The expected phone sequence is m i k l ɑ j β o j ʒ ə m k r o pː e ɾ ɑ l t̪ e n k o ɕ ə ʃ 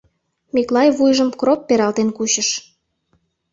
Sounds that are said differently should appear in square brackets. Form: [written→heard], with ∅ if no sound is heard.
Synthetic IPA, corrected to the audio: m i k l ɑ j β [o→u] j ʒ ə m k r o pː e ɾ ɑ l t̪ e n k [o→u] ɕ ə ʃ